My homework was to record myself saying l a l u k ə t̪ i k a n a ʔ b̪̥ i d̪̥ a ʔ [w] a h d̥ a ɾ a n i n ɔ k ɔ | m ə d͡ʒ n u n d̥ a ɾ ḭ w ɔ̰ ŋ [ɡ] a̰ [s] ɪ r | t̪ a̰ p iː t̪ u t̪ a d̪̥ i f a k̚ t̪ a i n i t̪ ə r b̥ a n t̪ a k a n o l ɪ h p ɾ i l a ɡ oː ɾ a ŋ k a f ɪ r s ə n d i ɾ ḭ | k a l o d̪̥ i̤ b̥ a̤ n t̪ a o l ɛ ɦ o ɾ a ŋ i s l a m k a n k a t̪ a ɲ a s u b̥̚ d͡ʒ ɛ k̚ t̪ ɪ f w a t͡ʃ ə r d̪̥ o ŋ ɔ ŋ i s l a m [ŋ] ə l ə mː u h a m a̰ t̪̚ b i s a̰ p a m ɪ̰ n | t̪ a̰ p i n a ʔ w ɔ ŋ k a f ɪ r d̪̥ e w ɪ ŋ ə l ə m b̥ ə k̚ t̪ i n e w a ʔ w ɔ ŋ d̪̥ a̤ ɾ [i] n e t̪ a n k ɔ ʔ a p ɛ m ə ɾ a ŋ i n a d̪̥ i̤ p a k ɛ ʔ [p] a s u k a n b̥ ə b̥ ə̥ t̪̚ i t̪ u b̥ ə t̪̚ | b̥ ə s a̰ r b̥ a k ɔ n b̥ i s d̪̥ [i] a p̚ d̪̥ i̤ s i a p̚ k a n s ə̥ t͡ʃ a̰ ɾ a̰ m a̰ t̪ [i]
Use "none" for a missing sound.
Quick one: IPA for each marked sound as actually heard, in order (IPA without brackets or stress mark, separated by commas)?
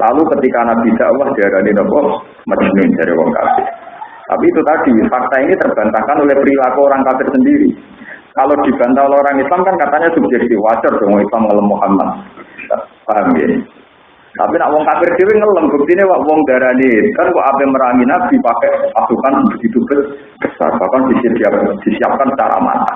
w, k, f, ŋ, a, p, i, a